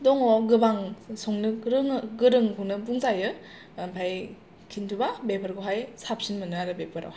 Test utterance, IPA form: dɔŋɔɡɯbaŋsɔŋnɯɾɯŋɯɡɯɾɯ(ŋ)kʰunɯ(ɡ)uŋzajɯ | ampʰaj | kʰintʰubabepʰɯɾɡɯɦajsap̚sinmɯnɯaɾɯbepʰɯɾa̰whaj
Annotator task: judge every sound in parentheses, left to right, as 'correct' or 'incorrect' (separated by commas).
correct, incorrect